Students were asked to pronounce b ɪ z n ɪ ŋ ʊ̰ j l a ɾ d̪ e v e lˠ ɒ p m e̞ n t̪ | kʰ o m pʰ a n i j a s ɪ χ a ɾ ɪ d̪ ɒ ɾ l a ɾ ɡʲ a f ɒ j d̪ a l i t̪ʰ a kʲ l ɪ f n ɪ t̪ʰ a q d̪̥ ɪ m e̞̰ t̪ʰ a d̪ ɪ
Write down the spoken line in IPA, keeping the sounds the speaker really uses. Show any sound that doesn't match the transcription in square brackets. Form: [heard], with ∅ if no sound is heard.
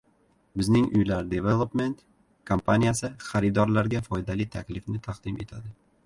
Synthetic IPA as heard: b ɪ z n ɪ ŋ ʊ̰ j l a ɾ d̪ e v e lˠ [o] p m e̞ n t̪ | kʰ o m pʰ a n i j a s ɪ χ a ɾ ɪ d̪ ɒ ɾ l a ɾ ɡʲ a f ɒ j d̪ a l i t̪ʰ a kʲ l ɪ f n ɪ t̪ʰ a q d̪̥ ɪ m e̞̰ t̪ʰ a d̪ ɪ

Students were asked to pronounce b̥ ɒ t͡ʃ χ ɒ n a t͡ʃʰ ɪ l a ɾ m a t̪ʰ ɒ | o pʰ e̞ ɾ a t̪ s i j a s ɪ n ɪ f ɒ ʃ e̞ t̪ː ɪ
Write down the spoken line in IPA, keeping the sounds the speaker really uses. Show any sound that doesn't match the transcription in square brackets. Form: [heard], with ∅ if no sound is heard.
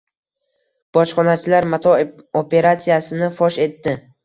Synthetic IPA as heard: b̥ ɒ t͡ʃ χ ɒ n a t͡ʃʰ ɪ l a ɾ m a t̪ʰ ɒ | o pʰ e̞ ɾ a t̪ s i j a s ɪ n ɪ f ɒ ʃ e̞ t̪ː ɪ

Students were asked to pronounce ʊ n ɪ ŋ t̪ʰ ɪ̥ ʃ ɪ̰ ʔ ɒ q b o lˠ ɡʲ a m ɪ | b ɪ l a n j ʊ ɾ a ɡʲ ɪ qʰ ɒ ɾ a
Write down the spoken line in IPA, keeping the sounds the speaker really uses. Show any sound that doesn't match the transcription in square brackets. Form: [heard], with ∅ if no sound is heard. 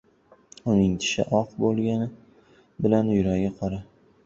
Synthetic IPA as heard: ʊ n ɪ ŋ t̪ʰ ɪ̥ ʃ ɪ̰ ʔ ɒ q b o lˠ ɡʲ a [n] ɪ | b ɪ l a n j ʊ ɾ a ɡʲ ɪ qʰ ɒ ɾ a

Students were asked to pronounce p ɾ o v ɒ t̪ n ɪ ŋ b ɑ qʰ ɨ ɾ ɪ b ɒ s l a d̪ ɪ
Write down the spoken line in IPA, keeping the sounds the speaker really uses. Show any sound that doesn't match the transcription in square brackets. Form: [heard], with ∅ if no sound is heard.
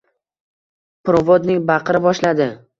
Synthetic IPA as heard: p ɾ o v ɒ [d̪] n ɪ ŋ b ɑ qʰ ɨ ɾ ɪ b ɒ [ʃ] l a d̪ ɪ

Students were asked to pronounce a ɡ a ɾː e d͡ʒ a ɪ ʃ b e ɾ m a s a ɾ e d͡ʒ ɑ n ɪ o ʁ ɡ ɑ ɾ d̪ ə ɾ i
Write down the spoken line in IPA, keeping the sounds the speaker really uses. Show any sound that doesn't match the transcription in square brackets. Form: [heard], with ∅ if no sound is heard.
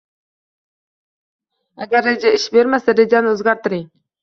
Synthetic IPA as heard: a ɡ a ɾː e d͡ʒ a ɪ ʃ b e ɾ m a s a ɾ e d͡ʒ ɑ n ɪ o [z] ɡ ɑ ɾ [t̪] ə ɾ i

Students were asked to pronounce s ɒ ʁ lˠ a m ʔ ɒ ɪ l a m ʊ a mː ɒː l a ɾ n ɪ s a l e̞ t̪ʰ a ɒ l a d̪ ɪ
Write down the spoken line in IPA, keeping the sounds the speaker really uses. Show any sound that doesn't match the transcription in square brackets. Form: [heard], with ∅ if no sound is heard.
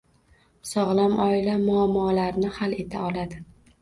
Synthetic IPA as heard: s ɒ ʁ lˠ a m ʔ ɒ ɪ l a m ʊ a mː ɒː l a ɾ n ɪ [h] a l e̞ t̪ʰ a ɒ l a d̪ ɪ

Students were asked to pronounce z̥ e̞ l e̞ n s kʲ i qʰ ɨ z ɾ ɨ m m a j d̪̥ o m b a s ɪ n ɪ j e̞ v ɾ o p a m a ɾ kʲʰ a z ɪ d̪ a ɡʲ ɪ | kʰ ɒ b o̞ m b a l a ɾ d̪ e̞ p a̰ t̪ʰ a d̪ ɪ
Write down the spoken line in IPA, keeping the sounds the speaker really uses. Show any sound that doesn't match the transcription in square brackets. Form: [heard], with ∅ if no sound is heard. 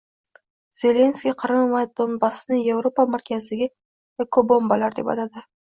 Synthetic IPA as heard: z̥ e̞ l e̞ n s kʲ i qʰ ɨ [∅] ɾ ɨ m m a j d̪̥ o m b a s ɪ n ɪ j e̞ v ɾ o p a m a ɾ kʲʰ a z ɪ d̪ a ɡʲ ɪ | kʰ [o] b o̞ m b a l a ɾ d̪ e̞ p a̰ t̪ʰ a d̪ ɪ

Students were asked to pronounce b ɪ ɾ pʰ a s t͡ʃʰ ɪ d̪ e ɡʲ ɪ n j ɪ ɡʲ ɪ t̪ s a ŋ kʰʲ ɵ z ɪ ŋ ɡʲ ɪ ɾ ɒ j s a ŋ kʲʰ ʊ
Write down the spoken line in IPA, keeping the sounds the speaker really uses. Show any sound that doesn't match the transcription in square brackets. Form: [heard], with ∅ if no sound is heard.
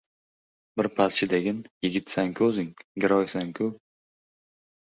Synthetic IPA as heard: b ɪ ɾ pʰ a s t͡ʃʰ ɪ d̪ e ɡʲ ɪ n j ɪ ɡʲ ɪ t̪ s a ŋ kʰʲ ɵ z ɪ ŋ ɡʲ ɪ ɾ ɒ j s a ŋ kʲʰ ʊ

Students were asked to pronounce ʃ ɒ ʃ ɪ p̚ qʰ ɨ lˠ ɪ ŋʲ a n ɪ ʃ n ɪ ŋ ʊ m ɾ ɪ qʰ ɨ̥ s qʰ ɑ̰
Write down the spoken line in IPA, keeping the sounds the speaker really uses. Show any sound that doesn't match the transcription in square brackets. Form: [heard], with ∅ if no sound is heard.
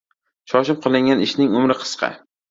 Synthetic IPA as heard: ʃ ɒ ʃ ɪ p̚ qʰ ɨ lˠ ɪ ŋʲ a n ɪ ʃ n ɪ ŋ ʊ m ɾ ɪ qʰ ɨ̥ s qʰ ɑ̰

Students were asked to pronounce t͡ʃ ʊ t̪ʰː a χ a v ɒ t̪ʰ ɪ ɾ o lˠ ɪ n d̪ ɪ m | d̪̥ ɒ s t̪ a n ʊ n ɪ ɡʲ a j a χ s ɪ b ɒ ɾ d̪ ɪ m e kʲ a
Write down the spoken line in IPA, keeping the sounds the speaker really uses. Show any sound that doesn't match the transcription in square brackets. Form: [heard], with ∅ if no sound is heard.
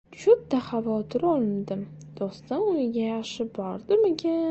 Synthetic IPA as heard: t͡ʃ ʊ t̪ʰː a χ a v ɒ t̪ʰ ɪ ɾ [ɒ] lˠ ɪ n d̪ ɪ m | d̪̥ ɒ s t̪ a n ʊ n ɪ ɡʲ a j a χ [ʃ] ɪ b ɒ ɾ d̪ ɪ m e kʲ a

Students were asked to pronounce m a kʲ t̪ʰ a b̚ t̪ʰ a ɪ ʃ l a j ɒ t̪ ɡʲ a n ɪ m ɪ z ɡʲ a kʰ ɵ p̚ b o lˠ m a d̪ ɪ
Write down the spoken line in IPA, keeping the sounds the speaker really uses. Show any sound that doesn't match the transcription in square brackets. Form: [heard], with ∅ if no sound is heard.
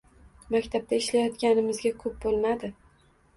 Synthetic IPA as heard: m a kʲ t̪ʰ a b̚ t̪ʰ a ɪ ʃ l a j ɒ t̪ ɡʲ a n ɪ m ɪ z ɡʲ a kʰ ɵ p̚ b o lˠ m a d̪ ɪ

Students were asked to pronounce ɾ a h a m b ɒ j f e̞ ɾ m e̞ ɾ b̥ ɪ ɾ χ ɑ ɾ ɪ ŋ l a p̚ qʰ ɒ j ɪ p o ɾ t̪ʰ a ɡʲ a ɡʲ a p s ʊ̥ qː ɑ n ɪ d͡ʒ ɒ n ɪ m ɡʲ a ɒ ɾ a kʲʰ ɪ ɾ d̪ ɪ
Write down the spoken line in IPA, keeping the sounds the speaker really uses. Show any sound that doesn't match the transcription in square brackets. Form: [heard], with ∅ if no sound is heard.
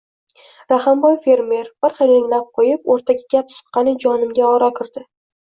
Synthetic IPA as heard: ɾ a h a m b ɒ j f e̞ ɾ m e̞ ɾ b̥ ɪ ɾ χ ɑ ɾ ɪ ŋ l a p̚ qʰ [o] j ɪ p o ɾ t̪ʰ a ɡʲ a ɡʲ a p s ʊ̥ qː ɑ n ɪ d͡ʒ ɒ n ɪ m ɡʲ a ɒ ɾ a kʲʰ ɪ ɾ d̪ ɪ

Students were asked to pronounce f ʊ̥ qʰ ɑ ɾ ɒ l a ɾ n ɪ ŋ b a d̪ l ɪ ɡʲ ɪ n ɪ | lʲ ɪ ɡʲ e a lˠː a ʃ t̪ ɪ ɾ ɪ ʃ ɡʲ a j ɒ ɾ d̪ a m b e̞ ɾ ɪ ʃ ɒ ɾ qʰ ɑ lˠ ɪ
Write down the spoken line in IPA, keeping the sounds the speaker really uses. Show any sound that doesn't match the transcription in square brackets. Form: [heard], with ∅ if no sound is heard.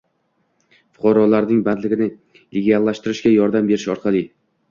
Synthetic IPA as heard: f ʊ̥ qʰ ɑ ɾ ɒ l a ɾ n ɪ ŋ b a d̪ l ɪ ɡʲ ɪ n ɪ | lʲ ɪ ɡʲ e a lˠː a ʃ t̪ ɪ ɾ ɪ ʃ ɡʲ a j ɒ ɾ d̪ a m b e̞ ɾ ɪ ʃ ɒ ɾ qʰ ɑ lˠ ɪ

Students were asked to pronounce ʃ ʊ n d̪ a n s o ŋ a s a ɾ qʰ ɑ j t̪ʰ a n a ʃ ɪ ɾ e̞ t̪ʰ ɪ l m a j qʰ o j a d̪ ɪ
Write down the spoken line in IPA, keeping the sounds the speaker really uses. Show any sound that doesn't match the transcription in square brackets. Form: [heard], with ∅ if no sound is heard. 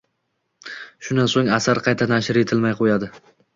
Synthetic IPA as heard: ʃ ʊ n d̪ a n s o ŋ a s a ɾ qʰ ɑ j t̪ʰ a n a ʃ ɪ ɾ e̞ t̪ʰ ɪ l m a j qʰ o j a d̪ ɪ

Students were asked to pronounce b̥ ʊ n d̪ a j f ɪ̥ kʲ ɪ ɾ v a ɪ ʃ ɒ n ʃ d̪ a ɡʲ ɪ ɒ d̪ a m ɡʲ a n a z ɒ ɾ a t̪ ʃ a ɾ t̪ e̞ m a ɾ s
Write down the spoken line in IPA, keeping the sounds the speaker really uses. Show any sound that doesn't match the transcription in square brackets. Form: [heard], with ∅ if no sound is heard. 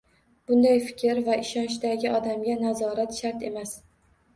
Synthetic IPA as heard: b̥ ʊ n d̪ a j f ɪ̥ kʲ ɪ ɾ v a ɪ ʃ ɒ n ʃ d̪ a ɡʲ ɪ ɒ d̪ a m ɡʲ a n a z ɒ ɾ a t̪ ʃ a ɾ t̪ e̞ m a [∅] s

